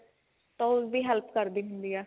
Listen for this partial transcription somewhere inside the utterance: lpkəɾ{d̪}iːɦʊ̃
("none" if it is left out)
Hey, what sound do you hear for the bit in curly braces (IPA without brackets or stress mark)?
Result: d̪